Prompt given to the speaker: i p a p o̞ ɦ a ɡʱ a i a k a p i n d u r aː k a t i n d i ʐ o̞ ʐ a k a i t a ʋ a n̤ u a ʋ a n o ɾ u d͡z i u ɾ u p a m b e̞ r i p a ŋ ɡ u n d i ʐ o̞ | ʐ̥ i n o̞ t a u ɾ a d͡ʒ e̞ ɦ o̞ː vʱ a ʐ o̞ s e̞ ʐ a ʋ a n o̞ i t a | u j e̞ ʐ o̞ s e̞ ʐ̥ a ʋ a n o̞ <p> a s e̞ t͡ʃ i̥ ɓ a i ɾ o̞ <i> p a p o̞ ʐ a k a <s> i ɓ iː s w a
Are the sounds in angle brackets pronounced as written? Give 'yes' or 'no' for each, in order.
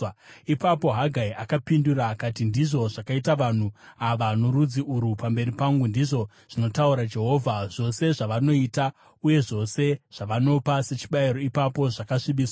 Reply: yes, yes, no

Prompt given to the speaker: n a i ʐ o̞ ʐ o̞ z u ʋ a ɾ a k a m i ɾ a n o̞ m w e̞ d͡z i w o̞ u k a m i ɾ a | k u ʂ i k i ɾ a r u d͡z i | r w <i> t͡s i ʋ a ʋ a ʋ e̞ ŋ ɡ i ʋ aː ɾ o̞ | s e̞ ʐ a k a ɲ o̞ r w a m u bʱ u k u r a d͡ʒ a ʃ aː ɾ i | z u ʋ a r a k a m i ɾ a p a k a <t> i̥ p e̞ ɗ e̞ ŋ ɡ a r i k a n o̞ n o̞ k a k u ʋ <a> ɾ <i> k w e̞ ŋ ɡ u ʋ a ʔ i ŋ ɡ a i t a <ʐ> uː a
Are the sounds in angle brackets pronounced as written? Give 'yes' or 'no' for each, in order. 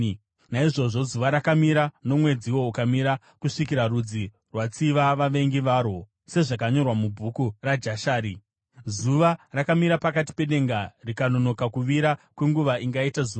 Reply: no, yes, no, no, no

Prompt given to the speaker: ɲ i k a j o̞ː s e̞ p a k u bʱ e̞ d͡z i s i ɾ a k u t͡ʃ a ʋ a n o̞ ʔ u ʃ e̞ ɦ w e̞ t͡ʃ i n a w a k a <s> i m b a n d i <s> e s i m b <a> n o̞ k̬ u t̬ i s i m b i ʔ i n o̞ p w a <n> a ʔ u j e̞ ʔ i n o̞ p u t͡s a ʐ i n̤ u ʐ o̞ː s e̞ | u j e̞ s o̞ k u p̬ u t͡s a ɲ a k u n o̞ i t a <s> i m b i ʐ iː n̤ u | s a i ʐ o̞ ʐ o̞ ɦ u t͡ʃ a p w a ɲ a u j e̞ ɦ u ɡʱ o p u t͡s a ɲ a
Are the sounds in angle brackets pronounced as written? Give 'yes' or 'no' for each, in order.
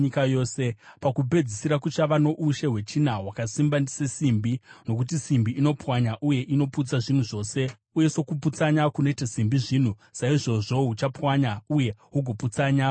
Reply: yes, yes, no, no, yes

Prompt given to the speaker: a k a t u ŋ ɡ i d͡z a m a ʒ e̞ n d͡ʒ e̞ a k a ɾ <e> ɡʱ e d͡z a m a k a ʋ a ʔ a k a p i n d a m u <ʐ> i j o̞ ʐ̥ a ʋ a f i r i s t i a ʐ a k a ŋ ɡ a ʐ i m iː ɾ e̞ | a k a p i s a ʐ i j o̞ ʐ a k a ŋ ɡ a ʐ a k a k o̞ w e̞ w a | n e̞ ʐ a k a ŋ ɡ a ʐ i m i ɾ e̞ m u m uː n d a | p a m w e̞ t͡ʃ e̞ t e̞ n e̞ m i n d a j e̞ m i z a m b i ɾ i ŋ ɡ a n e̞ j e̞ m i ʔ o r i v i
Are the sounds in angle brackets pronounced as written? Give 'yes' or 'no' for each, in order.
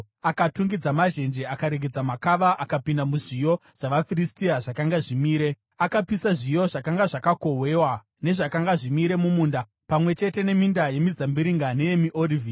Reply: yes, yes

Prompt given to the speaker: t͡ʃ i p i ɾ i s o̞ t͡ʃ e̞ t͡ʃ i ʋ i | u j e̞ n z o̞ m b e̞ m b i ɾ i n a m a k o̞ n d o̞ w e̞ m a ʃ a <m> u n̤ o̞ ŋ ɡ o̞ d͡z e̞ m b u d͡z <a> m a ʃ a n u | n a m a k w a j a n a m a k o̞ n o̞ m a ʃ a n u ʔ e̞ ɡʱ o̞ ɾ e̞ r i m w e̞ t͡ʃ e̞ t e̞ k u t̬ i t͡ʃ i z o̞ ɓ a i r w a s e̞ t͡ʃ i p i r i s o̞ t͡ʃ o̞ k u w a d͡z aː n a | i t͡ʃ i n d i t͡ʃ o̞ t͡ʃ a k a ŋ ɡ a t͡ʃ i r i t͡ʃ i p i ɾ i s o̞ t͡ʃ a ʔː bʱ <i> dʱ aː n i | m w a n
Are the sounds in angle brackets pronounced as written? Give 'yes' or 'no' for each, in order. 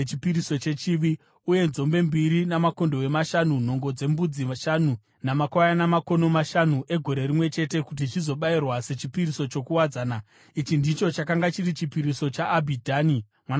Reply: no, no, yes

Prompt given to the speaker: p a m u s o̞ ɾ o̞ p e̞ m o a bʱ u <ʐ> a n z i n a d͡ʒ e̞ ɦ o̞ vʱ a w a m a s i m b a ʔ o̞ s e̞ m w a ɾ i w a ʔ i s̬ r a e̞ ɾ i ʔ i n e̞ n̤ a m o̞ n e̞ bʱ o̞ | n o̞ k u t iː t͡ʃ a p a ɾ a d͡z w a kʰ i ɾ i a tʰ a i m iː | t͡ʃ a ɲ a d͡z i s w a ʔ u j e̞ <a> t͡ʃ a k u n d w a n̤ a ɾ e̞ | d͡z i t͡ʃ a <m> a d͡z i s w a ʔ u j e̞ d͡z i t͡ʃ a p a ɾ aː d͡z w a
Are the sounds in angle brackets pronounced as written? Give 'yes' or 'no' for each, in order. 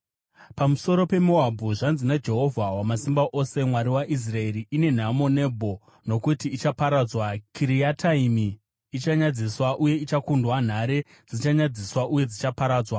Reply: yes, no, no

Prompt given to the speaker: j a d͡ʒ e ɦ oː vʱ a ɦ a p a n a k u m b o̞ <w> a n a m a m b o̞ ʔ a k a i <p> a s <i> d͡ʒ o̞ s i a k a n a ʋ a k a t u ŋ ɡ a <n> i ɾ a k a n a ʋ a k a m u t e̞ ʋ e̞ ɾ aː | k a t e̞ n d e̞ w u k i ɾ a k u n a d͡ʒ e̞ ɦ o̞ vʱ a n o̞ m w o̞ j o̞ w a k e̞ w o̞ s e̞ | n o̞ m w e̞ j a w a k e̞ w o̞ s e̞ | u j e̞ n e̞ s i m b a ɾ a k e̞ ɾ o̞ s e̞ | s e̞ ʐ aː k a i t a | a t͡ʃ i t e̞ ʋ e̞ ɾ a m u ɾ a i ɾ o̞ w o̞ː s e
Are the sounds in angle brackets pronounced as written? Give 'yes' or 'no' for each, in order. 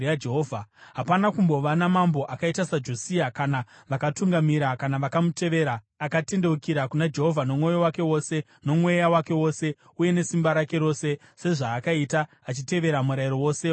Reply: no, no, no, no

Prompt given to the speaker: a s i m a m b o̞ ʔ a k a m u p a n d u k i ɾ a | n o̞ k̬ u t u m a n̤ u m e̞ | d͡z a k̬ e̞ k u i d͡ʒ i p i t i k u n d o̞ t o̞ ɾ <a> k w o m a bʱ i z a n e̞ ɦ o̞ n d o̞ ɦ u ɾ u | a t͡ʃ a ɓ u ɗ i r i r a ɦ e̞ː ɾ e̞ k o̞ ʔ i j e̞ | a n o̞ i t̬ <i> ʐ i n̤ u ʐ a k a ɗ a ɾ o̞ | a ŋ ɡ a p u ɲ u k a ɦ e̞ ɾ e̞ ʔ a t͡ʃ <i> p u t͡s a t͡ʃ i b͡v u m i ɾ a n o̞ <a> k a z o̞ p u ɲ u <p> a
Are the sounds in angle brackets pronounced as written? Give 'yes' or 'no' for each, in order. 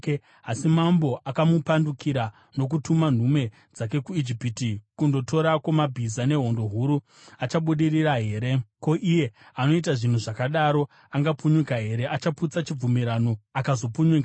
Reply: yes, no, no, yes, no

